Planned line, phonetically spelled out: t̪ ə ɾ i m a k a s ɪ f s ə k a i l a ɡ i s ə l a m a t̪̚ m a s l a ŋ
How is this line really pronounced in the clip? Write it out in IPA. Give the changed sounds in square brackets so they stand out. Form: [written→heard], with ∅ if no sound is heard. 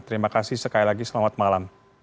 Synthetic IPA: t̪ ə ɾ i m a k a s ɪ [f→h] s ə k a i l a ɡ i s ə l a m a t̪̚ m a [s→∅] l a [ŋ→m]